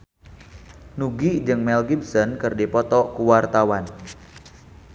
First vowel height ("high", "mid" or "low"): high